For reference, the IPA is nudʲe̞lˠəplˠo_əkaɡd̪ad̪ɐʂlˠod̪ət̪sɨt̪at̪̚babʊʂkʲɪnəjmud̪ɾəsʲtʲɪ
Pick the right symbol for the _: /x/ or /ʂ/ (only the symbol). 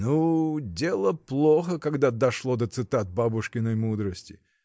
x